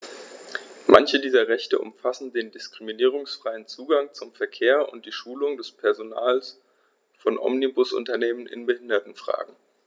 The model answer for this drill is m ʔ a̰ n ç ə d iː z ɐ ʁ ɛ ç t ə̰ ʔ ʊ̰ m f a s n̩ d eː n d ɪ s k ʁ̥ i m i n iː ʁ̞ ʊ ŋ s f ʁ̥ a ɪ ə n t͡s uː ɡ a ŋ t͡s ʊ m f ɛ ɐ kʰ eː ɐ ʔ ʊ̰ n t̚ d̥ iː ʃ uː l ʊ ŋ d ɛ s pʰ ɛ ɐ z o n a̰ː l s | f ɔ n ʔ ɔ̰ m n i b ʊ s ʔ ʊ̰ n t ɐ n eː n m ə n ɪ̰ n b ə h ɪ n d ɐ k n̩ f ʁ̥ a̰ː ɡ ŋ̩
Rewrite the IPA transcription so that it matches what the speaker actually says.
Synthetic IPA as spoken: m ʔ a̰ n ç ə d iː z ɐ ʁ ɛ ç t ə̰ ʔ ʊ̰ m f a s n̩ d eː n d ɪ s k ʁ̥ i m i n iː ʁ̞ ʊ ŋ s f ʁ̥ a ɪ ə n t͡s uː ɡ a ŋ t͡s ʊ m f ɛ ɐ kʰ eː ɐ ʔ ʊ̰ n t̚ d̥ iː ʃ uː l ʊ ŋ d ɛ s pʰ ɛ ɐ z o n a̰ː l s | f ɔ n ʔ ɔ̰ m n i b ʊ s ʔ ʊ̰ n t ɐ n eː m ə n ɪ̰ n b ə h ɪ n d ɐ t n̩ f ʁ̥ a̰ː ɡ ŋ̩